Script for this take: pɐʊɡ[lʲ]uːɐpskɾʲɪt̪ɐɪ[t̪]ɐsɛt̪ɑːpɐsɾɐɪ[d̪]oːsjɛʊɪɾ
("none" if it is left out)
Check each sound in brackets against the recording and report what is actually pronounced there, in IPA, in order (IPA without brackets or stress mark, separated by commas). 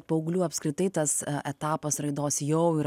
lʲ, t̪, d̪